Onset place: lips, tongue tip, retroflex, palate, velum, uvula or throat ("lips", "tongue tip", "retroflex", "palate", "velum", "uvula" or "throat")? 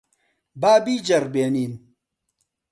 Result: lips